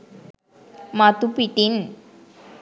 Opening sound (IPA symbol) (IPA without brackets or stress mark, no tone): m